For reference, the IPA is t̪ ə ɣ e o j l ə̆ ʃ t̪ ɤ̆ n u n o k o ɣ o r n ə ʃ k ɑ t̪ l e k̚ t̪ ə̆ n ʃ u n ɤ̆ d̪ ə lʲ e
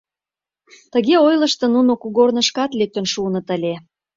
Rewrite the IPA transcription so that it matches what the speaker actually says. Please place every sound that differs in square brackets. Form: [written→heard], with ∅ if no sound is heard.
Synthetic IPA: t̪ ə ɣ e o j l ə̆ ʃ t̪ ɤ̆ n u n o k [o→u] ɣ o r n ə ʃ k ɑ t̪ l e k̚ t̪ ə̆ n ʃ u n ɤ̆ [d̪→t̪] ə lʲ e

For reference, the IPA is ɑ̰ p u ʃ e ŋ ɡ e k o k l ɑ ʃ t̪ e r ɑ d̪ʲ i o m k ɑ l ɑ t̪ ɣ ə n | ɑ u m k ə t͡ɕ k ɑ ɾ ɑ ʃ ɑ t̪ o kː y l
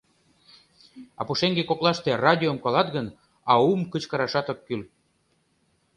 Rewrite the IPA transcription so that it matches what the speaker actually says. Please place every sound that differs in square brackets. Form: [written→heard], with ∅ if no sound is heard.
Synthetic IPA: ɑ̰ p u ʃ e ŋ ɡ e k o k l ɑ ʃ t̪ e r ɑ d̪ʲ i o m k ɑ l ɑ t̪ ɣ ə n | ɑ u m k ə t͡ɕ k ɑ ɾ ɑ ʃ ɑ t̪ o kː y l

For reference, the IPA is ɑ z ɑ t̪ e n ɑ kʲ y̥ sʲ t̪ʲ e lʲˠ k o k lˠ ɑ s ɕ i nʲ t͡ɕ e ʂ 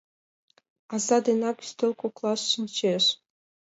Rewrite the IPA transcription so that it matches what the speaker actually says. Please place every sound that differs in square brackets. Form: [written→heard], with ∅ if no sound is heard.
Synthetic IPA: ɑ z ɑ [t̪→d̪] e n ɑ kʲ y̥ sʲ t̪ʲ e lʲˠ k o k lˠ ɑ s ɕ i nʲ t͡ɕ e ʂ

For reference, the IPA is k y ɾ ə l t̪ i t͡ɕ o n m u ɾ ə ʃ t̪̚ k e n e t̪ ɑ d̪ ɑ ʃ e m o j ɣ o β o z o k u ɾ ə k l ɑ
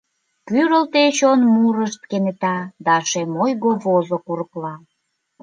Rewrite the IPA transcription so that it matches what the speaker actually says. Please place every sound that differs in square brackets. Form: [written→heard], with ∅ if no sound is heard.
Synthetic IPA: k y ɾ ə l t̪ [i→e] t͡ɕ o n m u ɾ ə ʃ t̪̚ k e n e t̪ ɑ d̪ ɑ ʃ e m o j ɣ o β o z o k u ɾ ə k l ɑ

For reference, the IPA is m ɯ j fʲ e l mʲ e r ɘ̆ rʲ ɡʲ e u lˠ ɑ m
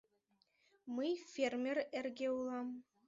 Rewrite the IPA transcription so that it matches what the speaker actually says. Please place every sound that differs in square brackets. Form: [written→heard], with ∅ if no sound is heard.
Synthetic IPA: m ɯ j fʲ e [l→r] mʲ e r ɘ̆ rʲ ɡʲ e u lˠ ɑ m

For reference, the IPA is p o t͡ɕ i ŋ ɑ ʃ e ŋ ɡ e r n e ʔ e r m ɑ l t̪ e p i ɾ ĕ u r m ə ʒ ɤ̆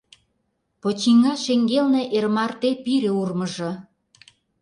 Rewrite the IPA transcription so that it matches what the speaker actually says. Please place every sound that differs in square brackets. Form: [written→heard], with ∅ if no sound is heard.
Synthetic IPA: p o t͡ɕ i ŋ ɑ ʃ e ŋ ɡ e [r→l] n e ʔ e r m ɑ [l→r] t̪ e p i ɾ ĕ u r m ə ʒ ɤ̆

